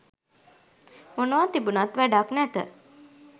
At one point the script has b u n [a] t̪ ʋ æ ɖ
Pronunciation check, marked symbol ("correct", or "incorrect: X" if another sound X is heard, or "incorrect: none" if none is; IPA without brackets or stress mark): correct